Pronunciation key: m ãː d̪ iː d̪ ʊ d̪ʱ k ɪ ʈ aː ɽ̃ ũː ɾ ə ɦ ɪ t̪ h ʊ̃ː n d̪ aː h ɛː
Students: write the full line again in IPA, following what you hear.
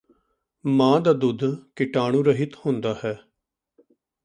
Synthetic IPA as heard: m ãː d̪ aː d̪ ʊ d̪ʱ k ɪ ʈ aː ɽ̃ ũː ɾ ə ɦ ɪ t̪ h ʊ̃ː n d̪ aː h ɛː